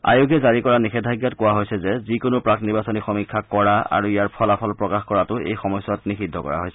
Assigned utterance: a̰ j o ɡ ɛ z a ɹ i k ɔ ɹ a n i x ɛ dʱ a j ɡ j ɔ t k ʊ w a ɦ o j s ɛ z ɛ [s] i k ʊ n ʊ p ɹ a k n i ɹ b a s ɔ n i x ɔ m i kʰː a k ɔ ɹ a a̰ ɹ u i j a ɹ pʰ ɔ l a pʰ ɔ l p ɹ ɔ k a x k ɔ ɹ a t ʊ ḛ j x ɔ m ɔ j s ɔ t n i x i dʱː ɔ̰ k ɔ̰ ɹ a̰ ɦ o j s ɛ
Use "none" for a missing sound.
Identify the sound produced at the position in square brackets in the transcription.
z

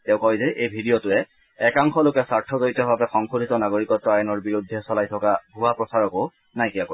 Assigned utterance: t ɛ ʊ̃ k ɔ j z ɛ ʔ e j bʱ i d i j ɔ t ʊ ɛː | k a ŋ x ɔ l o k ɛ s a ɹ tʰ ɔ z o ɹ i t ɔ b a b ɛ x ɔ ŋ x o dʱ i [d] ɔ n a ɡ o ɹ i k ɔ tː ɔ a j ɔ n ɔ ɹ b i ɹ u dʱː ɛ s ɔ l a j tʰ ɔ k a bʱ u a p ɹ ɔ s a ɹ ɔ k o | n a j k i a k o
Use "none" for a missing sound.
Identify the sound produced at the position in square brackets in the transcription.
t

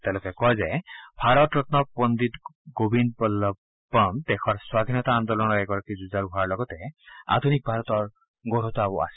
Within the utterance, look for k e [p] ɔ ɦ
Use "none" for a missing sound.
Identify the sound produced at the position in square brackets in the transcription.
k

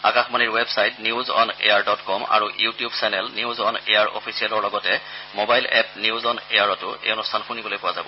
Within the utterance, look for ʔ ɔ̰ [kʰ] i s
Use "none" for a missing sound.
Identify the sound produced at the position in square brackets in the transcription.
pʰ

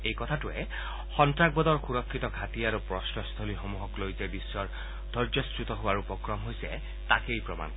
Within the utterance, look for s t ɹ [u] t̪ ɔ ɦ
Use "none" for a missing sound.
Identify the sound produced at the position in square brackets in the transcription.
u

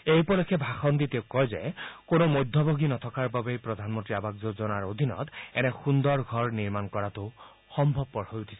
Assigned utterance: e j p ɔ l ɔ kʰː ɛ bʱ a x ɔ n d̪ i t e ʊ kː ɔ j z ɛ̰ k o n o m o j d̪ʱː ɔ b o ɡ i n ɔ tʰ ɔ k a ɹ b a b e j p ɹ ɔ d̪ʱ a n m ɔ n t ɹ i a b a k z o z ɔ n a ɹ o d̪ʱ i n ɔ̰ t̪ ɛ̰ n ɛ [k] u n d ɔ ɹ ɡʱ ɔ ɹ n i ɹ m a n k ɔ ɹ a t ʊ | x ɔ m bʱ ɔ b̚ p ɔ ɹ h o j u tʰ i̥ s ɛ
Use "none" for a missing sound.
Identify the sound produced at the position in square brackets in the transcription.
x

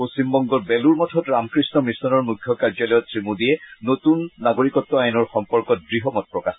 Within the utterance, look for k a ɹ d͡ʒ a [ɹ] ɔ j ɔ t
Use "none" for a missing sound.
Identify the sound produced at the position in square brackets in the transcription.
l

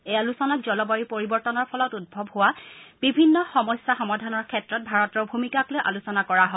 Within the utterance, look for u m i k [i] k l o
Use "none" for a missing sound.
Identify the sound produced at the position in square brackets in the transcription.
a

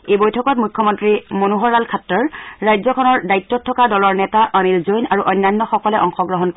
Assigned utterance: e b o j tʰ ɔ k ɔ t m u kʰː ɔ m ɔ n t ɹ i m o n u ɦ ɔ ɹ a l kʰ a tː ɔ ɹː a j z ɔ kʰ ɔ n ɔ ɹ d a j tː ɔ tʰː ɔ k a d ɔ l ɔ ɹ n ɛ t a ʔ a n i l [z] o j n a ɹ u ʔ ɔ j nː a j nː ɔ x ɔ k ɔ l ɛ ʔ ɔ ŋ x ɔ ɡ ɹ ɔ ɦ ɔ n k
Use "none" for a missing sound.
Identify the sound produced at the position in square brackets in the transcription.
z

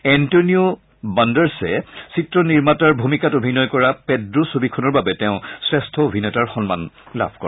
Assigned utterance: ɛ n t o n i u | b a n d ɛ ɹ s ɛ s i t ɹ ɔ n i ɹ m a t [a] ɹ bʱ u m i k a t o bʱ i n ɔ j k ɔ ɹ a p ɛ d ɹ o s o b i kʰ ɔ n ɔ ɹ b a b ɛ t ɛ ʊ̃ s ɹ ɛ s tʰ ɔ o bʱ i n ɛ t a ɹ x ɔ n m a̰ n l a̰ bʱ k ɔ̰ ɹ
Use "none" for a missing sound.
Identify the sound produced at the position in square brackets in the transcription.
a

